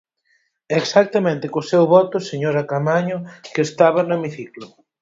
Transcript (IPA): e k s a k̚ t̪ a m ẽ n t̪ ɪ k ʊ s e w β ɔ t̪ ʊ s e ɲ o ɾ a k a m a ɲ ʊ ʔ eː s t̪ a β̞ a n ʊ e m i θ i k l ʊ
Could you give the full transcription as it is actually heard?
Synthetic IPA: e k s a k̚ t̪ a m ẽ n t̪ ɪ k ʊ s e w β ɔ t̪ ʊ s e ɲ o ɾ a k a m a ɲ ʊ k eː s t̪ a β̞ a n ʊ e m i θ i k l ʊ